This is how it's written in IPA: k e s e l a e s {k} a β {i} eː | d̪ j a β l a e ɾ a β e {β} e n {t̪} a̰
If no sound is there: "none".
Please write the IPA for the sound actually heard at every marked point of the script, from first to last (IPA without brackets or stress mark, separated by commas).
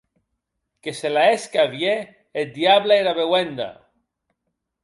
k, j, w, d̪